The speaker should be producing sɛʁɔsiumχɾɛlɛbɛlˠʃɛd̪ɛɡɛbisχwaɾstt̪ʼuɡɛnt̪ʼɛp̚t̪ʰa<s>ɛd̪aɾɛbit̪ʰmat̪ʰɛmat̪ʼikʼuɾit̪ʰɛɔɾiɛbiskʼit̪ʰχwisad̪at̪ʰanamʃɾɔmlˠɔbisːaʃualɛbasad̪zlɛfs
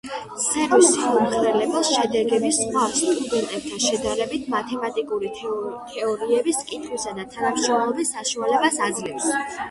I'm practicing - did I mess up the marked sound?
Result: yes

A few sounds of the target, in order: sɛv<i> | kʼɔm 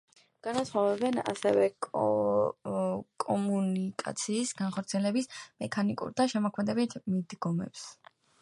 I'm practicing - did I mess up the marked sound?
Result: yes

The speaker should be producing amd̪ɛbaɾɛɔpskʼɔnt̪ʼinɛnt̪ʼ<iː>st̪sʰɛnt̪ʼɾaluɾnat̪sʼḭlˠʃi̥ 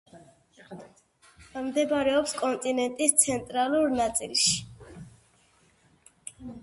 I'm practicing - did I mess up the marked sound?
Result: yes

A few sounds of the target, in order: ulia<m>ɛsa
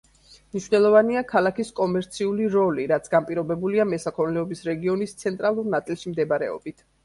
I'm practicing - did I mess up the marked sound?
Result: no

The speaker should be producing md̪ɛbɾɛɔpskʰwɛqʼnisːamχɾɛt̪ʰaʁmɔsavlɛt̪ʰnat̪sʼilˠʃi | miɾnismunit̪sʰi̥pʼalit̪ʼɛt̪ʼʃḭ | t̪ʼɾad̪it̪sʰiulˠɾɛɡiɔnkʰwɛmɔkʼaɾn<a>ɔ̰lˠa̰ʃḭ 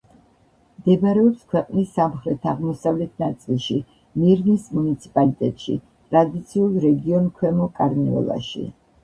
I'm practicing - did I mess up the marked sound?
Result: yes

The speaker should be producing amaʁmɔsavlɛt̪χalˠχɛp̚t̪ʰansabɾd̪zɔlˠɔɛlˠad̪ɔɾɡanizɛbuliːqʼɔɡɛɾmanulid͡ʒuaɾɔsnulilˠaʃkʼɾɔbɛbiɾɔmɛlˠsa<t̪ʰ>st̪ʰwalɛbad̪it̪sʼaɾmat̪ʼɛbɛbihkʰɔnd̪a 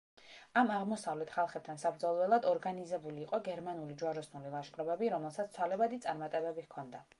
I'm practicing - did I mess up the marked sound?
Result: yes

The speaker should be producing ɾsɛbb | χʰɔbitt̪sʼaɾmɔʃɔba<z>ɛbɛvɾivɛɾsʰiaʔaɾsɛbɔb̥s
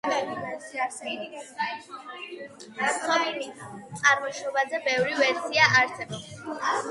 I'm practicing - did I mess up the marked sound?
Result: no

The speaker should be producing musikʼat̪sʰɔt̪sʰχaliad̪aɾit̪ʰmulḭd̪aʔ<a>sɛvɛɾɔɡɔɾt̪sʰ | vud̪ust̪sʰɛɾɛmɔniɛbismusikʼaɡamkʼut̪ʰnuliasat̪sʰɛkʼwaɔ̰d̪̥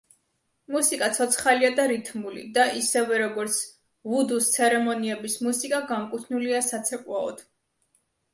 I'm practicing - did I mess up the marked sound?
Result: yes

